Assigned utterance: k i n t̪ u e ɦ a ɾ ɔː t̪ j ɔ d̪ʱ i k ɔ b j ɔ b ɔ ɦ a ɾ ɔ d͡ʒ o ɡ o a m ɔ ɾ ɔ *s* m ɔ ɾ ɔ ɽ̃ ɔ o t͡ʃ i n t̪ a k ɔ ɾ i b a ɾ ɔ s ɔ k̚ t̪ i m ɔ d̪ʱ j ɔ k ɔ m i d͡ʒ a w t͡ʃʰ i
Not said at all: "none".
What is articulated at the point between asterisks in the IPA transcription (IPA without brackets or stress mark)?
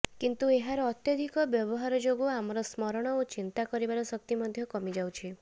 s